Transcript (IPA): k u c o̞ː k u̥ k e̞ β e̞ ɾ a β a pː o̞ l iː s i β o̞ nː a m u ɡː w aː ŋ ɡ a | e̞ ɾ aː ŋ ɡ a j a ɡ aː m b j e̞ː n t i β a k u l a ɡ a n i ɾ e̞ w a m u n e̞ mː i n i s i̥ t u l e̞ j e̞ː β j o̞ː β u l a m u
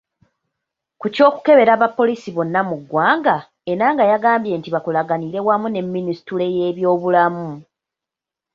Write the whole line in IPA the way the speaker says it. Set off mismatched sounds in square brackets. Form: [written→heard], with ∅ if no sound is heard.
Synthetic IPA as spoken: k u c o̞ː k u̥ k e̞ β e̞ ɾ a β a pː o̞ l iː s i β o̞ nː a m u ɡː w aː ŋ ɡ a | e̞ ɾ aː ŋ ɡ a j a ɡ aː m b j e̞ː n t i β a k u l a ɡ a n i ɾ e̞ w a m u n e̞ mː i n i s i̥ t u l e̞ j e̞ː β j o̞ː β u l a m u